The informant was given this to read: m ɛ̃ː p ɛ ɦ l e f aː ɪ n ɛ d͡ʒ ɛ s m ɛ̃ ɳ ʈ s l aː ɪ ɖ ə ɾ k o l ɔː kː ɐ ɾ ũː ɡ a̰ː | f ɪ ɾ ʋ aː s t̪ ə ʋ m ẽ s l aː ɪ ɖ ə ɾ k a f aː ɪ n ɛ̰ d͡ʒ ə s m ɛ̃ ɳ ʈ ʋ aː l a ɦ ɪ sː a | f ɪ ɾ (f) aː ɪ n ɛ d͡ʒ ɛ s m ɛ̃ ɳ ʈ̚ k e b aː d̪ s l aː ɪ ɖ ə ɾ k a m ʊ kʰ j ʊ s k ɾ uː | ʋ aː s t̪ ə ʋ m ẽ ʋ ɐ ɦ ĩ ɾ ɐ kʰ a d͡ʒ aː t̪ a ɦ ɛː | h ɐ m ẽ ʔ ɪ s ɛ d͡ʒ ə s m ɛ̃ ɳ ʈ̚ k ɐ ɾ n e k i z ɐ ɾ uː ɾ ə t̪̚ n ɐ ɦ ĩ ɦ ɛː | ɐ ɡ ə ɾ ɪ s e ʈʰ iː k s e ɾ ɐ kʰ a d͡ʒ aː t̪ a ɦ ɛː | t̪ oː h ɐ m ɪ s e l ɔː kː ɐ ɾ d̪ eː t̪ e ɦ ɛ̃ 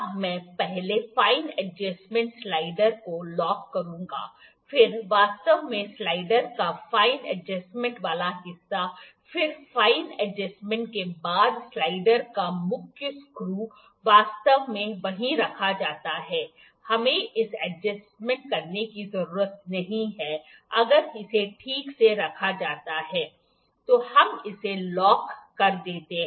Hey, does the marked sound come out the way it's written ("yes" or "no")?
yes